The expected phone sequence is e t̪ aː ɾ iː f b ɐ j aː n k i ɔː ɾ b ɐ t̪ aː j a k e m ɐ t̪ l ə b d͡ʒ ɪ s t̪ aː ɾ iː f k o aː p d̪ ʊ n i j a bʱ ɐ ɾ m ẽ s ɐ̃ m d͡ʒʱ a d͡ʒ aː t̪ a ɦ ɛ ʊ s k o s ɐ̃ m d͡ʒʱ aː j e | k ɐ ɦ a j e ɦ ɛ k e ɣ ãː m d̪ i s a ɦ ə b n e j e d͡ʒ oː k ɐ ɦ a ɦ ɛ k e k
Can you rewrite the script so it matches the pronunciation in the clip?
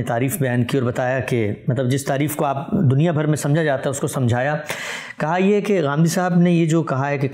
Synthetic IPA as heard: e t̪ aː ɾ iː f b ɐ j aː n k i ɔː ɾ b ɐ t̪ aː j a k e m ɐ t̪ l ə b d͡ʒ ɪ s t̪ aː ɾ iː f k o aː p d̪ ʊ n i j a bʱ ɐ ɾ m ẽ s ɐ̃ m d͡ʒʱ a d͡ʒ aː t̪ a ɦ ɛ ʊ s k o s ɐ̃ m d͡ʒʱ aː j a | k ɐ ɦ a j e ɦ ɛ k e ɣ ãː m d̪ i s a ɦ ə b n e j e d͡ʒ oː k ɐ ɦ a ɦ ɛ k e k